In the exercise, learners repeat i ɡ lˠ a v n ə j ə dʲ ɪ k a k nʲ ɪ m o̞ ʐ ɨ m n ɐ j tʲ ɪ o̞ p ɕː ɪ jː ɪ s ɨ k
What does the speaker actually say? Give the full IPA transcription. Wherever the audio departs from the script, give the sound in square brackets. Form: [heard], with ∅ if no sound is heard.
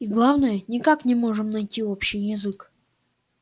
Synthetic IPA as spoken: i ɡ lˠ a v n ə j ə [nʲ] ɪ k a k nʲ ɪ m o̞ ʐ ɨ m n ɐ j tʲ [i] o̞ p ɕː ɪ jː ɪ [z] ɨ k